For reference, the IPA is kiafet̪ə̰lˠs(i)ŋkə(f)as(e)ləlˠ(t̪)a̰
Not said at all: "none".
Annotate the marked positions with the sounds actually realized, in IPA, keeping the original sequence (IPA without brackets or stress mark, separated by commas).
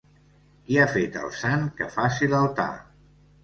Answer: a, f, i, t̪